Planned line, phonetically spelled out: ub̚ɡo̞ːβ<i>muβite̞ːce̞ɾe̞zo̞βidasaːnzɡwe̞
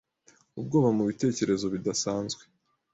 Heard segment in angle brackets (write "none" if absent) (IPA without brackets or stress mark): a